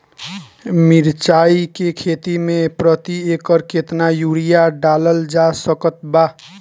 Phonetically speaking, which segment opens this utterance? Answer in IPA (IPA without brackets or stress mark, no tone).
m